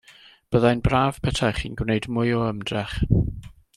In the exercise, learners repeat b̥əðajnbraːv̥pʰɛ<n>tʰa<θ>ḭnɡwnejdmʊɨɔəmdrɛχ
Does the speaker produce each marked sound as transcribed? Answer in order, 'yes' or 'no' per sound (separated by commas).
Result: no, no